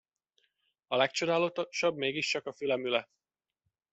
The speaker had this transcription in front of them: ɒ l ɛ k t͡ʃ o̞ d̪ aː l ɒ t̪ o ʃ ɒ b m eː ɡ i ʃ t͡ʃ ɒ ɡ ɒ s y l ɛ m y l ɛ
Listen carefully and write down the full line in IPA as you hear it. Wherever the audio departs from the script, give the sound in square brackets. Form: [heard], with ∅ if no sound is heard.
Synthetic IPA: ɒ l ɛ k t͡ʃ o̞ d̪ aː l [o] t̪ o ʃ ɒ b m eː ɡ i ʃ t͡ʃ ɒ [k] ɒ [f] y l ɛ m y l ɛ